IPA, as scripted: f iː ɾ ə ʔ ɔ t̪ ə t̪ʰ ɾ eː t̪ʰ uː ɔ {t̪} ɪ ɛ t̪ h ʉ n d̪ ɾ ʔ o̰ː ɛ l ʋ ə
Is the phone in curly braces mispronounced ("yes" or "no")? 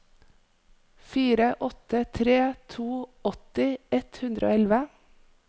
no